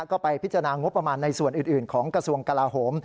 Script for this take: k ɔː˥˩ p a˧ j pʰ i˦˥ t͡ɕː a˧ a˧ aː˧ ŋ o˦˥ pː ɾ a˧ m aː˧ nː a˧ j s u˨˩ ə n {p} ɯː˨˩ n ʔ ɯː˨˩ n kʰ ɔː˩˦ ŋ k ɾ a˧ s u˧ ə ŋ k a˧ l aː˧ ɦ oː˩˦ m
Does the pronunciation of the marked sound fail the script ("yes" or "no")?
yes